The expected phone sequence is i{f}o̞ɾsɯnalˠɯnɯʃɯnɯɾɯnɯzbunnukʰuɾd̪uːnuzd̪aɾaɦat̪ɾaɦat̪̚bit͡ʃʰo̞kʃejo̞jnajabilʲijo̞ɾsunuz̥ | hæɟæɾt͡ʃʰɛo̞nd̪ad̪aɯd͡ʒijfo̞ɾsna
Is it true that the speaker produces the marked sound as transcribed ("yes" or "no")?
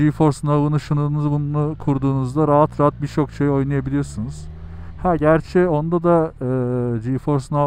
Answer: yes